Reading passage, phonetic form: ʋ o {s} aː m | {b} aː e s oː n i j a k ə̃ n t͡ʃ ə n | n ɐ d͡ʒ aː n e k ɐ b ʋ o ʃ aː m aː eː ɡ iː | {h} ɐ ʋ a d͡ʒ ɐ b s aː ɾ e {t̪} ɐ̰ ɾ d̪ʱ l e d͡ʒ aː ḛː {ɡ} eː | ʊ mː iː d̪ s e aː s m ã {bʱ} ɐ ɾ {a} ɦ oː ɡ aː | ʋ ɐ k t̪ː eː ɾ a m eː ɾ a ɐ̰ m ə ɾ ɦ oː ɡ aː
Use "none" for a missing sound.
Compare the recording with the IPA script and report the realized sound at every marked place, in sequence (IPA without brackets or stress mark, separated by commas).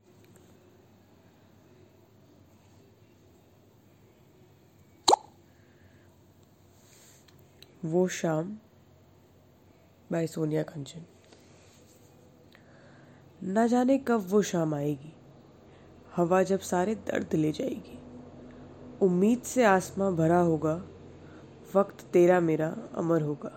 ʃ, b, h, d̪, ɡ, bʱ, a